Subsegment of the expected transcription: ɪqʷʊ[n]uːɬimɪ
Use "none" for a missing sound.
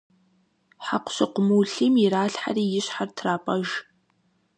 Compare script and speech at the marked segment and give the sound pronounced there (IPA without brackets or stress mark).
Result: m